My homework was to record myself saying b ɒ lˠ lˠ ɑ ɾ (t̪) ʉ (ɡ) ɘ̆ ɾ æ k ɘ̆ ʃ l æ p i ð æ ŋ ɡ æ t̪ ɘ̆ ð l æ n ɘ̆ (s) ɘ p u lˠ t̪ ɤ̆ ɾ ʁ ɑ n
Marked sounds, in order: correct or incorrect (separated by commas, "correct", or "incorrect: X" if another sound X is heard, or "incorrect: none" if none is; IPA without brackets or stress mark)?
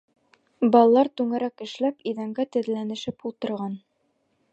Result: correct, incorrect: ŋ, incorrect: ʃ